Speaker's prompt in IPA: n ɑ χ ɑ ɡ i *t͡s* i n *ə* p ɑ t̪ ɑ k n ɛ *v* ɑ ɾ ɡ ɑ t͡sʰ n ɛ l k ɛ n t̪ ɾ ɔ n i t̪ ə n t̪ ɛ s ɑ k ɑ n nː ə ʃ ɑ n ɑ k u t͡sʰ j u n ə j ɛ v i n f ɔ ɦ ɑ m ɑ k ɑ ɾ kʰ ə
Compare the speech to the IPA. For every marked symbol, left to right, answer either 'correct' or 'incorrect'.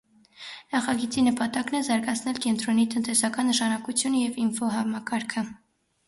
correct, correct, incorrect

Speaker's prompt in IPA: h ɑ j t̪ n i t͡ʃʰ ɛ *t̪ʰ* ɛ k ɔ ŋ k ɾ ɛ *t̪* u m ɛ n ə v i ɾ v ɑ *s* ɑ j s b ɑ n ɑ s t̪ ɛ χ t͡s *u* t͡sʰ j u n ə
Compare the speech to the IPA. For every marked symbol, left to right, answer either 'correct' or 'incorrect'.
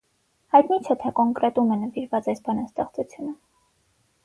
correct, correct, incorrect, correct

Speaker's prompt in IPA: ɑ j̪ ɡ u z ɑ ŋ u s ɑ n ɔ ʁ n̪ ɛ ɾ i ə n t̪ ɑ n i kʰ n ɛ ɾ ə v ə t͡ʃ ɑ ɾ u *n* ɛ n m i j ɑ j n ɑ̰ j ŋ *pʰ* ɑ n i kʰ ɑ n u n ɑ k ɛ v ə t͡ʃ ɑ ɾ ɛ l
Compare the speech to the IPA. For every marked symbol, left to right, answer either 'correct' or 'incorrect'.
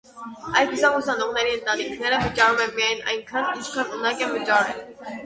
incorrect, incorrect

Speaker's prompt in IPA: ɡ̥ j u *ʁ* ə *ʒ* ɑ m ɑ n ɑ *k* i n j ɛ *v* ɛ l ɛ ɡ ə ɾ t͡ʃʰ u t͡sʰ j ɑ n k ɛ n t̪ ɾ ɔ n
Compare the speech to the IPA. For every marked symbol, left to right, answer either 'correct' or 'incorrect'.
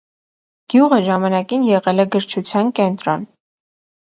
correct, correct, correct, incorrect

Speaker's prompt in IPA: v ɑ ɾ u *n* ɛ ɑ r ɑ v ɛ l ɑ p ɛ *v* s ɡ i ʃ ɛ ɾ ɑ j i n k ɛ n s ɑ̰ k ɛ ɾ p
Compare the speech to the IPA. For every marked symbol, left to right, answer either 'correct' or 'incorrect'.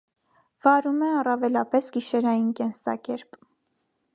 incorrect, incorrect

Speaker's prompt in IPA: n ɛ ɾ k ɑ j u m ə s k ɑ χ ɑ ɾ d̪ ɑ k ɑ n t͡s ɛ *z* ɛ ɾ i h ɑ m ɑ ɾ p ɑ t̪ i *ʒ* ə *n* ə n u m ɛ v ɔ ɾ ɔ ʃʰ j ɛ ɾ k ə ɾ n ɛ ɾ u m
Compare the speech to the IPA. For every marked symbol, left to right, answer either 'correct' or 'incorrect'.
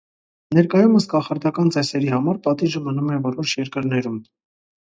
incorrect, correct, incorrect

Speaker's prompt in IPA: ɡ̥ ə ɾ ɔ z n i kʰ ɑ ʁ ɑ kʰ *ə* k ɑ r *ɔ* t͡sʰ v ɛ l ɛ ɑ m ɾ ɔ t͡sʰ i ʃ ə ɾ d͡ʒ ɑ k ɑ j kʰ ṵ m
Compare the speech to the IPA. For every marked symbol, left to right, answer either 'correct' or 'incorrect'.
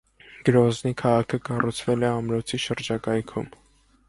correct, incorrect

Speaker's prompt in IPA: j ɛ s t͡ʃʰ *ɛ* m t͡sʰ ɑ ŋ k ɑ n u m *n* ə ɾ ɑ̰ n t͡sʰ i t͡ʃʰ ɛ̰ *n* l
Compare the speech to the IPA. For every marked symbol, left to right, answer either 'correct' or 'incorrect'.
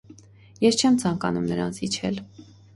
correct, correct, incorrect

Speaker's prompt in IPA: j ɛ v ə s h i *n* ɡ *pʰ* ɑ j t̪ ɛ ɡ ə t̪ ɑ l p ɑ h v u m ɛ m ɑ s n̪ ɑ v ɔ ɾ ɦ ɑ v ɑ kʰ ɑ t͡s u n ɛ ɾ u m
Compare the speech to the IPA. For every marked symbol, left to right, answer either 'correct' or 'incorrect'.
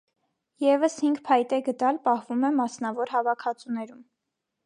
incorrect, correct

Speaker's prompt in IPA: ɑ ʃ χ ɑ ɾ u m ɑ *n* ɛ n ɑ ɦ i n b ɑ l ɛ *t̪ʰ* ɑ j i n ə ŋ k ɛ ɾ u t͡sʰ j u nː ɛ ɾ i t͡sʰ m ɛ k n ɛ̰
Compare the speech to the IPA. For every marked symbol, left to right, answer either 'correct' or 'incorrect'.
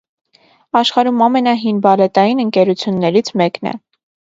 incorrect, incorrect

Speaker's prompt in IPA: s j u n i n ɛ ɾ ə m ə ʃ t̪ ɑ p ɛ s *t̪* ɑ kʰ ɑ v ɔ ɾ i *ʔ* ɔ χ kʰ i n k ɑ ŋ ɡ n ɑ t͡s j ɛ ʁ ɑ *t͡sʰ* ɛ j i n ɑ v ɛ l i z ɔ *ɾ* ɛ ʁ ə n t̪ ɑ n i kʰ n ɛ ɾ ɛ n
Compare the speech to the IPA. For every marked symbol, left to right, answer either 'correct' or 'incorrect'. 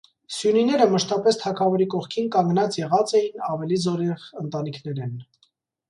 incorrect, incorrect, incorrect, correct

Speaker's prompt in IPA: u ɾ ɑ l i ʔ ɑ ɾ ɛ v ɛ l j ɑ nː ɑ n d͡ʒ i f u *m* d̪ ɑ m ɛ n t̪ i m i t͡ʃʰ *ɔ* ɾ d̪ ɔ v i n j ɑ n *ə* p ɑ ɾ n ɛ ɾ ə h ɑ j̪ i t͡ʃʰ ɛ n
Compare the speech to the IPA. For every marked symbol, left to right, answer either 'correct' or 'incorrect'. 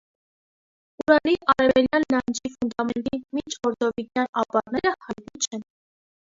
incorrect, correct, incorrect

